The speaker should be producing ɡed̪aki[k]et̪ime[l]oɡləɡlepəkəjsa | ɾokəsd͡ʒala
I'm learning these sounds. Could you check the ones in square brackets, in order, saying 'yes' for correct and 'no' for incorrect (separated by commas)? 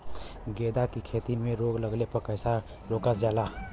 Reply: no, no